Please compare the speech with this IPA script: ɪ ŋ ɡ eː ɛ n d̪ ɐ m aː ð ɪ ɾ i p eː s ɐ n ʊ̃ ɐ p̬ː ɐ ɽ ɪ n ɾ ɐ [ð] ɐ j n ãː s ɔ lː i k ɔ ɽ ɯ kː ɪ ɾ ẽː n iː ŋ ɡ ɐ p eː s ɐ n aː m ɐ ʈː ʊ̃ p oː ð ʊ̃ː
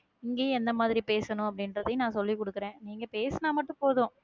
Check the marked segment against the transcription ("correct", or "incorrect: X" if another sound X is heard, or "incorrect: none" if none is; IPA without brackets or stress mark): correct